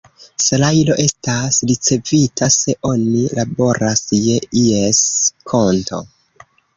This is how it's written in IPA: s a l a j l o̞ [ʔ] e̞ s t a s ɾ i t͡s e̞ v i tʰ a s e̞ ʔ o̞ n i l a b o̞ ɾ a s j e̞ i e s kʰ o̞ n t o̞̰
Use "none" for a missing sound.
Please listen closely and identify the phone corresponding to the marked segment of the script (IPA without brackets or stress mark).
ʔ